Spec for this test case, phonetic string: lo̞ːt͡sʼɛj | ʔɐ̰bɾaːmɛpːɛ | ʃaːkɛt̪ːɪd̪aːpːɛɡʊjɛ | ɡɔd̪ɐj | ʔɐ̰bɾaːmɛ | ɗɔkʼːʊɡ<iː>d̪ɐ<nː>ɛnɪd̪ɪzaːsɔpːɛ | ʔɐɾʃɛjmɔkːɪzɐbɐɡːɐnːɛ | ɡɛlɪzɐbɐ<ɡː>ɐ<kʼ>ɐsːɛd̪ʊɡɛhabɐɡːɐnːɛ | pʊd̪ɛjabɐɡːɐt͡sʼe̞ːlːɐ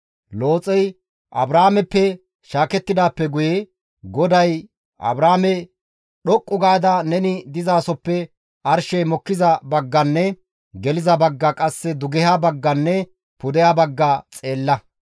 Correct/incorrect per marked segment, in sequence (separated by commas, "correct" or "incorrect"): incorrect, incorrect, correct, correct